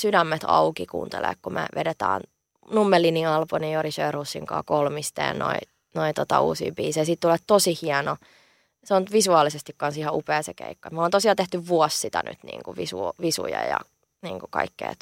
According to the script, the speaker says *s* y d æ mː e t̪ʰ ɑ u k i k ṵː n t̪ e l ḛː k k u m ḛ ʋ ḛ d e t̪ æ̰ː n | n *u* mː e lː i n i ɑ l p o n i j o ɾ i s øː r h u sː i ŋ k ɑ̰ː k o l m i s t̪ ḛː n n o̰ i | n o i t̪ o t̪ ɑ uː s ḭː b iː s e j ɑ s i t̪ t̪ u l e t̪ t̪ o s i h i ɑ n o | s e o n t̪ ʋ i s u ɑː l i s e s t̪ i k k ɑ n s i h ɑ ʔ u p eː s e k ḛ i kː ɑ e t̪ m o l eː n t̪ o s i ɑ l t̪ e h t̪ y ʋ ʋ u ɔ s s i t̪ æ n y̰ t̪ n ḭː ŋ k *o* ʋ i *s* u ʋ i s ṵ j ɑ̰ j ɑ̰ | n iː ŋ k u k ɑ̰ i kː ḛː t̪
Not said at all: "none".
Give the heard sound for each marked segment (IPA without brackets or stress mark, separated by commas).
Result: s, u, u, s